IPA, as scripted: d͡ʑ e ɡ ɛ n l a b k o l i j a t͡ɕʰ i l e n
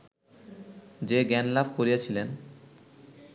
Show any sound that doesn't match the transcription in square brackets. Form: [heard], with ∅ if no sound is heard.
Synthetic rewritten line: d͡ʑ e ɡ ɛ n l a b k o [ɾ] i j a t͡ɕʰ i l e n